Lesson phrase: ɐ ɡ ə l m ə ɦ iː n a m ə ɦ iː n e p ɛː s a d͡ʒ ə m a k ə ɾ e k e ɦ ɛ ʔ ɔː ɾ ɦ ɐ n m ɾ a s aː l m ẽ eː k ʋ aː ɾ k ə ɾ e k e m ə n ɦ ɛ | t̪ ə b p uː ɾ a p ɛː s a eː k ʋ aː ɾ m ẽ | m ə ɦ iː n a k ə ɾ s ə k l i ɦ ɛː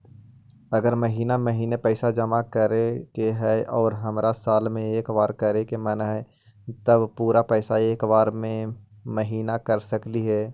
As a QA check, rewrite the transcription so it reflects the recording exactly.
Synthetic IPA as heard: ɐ ɡ ə ɾ m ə ɦ iː n a m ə ɦ iː n e p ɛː s a d͡ʒ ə m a k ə ɾ e k e ɦ ɛ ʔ ɔː ɾ ɦ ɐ m ɾ a s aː l m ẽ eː k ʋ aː ɾ k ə ɾ e k e m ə n ɦ ɛ | t̪ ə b p uː ɾ a p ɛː s a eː k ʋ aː ɾ m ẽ | m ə ɦ iː n a k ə ɾ s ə k l i ɦ ɛː